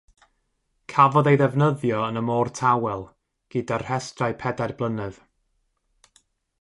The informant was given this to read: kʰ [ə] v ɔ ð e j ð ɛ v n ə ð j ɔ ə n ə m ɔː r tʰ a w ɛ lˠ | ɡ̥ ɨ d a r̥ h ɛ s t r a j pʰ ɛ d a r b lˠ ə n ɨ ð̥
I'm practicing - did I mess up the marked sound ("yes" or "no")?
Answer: yes